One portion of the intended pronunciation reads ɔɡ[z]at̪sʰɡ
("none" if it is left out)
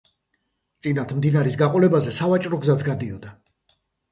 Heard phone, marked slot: z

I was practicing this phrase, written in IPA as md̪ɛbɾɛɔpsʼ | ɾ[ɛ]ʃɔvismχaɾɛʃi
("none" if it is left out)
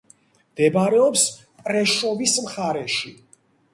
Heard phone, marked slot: ɛ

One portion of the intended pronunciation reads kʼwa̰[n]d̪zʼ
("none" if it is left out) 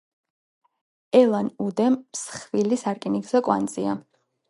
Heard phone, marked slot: n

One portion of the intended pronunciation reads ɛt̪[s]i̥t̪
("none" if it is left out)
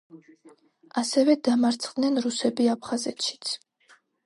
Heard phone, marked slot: ʃ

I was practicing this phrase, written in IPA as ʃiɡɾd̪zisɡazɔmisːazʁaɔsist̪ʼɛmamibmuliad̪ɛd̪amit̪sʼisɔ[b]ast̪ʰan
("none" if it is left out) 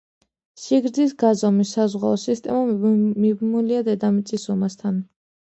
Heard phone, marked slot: m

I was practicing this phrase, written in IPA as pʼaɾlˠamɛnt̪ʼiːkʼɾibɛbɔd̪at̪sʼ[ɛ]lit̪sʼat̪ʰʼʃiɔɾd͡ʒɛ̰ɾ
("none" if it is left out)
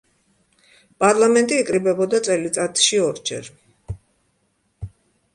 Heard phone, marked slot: ɛ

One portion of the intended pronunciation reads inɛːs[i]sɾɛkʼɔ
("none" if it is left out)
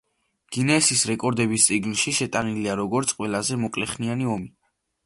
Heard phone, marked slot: i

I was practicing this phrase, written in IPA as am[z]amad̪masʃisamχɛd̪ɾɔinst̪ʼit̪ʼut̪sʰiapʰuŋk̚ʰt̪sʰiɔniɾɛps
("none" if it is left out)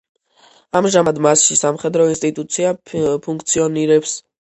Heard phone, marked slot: ʒ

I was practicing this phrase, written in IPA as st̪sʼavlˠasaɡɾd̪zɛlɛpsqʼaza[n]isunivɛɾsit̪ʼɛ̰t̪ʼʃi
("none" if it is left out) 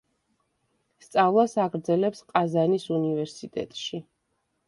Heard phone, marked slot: n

